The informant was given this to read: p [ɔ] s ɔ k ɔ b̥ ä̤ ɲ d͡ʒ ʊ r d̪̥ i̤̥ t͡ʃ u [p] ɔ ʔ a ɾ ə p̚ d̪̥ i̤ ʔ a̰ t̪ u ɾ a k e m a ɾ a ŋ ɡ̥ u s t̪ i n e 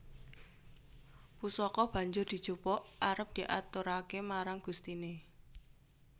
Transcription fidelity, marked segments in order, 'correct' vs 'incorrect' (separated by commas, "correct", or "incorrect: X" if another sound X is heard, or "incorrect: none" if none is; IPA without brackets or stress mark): incorrect: u, correct